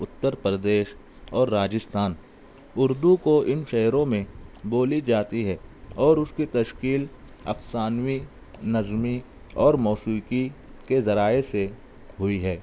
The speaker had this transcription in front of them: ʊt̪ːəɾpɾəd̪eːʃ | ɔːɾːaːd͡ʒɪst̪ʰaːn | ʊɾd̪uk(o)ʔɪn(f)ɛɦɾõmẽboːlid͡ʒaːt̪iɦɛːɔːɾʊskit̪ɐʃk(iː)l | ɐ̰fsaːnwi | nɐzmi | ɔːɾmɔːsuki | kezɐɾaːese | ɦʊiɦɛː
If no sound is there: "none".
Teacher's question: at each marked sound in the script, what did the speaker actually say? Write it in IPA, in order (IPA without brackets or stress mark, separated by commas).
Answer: o, ʃ, iː